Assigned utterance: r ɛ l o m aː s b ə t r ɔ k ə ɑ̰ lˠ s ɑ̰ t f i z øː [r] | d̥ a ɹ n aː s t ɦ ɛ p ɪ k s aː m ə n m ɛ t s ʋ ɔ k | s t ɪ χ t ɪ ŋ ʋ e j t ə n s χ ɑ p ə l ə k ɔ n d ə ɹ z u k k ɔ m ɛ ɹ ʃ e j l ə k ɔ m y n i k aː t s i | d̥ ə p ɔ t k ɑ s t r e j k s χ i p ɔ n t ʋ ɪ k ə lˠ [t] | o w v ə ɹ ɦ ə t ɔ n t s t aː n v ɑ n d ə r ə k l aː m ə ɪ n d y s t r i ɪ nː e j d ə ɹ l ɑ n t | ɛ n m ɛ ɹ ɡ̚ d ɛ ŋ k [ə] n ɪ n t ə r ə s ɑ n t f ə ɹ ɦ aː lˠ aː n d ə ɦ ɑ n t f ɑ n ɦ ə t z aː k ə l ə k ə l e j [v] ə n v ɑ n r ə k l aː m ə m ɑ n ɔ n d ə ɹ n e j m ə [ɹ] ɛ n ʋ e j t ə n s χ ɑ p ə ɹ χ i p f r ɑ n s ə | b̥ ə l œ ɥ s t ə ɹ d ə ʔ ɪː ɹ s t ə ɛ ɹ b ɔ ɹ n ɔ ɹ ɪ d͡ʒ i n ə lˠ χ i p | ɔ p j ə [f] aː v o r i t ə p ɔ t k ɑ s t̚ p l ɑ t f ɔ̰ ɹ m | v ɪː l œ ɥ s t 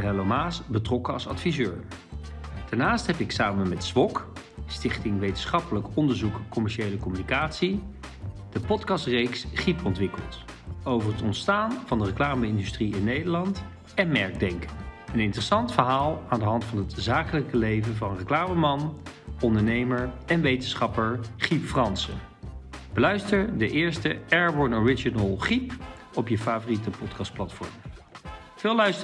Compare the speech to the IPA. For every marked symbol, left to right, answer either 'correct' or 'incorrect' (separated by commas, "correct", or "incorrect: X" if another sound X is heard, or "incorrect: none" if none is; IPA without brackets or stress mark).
incorrect: ɹ, correct, correct, correct, correct, correct